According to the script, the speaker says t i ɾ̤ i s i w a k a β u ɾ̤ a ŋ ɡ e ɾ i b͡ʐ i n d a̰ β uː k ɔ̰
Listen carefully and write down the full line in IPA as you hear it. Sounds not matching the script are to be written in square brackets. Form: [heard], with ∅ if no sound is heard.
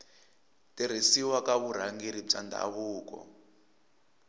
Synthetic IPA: t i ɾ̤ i s i w a k a β u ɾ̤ a ŋ ɡ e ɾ i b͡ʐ [a] n d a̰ β uː k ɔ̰